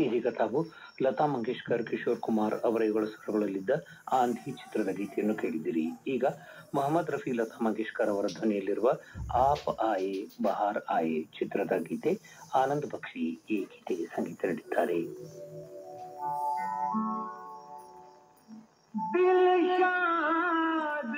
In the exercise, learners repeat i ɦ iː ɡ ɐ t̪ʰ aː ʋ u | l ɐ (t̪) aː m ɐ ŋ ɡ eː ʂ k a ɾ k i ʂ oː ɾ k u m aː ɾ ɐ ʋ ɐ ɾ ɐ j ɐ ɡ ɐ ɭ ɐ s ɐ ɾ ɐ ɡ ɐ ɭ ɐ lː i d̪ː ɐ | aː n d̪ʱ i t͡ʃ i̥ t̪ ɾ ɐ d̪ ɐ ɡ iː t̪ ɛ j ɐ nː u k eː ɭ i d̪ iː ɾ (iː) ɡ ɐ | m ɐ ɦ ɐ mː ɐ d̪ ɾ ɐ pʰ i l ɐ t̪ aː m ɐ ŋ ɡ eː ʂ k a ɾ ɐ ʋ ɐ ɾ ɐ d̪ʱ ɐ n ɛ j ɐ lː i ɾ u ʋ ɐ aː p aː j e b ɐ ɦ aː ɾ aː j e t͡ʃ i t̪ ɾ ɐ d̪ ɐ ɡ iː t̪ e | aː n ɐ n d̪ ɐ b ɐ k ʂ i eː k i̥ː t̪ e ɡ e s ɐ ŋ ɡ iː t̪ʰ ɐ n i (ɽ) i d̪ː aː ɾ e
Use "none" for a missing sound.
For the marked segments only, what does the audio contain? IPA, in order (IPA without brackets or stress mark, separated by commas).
t̪, iː, ɽ